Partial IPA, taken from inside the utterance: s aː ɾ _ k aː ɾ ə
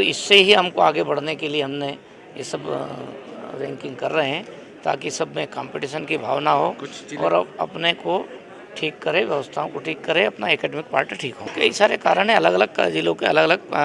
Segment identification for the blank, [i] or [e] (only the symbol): e